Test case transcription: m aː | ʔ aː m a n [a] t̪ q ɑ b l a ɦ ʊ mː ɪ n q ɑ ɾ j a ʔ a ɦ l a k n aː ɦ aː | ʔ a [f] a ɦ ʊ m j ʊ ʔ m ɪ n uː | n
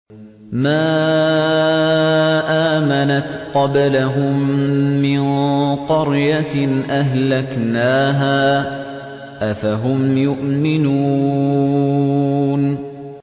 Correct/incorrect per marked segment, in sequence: correct, correct

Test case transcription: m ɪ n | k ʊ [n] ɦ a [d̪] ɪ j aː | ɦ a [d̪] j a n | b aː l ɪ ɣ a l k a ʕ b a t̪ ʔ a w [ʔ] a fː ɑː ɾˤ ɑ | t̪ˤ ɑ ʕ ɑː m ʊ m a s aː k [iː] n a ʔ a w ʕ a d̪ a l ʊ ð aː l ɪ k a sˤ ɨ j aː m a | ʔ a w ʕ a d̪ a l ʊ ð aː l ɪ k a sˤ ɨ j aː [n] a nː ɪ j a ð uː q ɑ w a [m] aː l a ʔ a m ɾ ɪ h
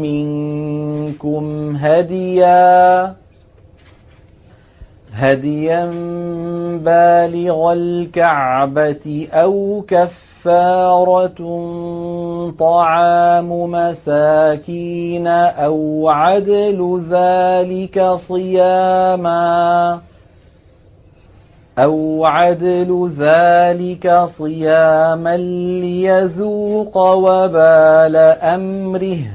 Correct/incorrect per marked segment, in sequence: incorrect, correct, correct, incorrect, correct, incorrect, incorrect

